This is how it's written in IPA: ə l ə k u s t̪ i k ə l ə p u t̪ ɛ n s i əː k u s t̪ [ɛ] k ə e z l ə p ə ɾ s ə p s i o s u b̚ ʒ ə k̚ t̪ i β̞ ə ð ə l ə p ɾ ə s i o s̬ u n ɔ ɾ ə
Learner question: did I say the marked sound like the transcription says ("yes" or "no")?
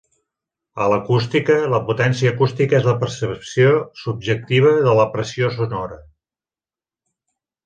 no